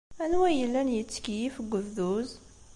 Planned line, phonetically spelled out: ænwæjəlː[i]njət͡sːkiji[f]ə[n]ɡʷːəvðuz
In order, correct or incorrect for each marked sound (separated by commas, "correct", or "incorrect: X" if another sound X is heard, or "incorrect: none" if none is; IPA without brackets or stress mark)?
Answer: incorrect: æ, correct, incorrect: none